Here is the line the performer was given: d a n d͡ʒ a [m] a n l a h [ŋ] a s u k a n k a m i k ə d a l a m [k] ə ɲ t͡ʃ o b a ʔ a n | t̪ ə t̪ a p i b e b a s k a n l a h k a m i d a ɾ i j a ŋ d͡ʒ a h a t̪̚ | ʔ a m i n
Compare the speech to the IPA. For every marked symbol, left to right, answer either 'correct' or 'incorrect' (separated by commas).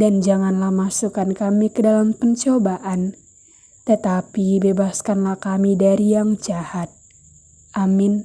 incorrect, incorrect, incorrect